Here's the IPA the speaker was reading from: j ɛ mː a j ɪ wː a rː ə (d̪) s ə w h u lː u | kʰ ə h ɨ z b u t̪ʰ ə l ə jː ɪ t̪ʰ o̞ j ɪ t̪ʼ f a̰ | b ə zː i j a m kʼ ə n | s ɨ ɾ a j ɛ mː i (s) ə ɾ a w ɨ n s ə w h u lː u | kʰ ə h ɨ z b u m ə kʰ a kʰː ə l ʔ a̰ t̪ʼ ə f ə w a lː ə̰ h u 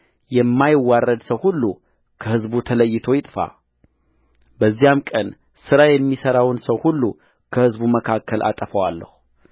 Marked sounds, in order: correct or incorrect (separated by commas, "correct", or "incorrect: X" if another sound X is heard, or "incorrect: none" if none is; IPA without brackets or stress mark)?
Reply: correct, correct